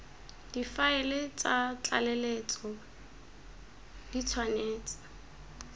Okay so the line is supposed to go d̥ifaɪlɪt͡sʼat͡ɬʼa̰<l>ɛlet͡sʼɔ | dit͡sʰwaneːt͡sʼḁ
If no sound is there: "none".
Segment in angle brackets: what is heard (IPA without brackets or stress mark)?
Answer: l